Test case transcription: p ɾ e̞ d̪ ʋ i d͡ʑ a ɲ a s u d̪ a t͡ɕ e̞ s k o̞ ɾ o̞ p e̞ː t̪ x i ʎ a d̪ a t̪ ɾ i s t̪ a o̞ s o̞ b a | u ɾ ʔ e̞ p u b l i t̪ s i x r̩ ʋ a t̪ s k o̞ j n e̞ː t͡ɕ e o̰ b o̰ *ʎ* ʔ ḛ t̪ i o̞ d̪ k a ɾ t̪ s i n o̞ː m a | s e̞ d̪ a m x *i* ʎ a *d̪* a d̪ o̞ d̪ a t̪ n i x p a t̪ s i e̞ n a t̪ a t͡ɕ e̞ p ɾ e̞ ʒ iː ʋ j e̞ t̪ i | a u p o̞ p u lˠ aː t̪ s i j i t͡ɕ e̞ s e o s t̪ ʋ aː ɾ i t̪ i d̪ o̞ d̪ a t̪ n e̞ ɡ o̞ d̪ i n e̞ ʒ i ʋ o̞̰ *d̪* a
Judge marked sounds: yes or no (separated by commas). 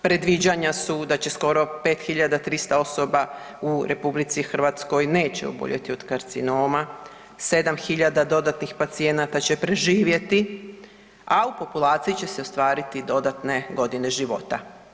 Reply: yes, yes, yes, no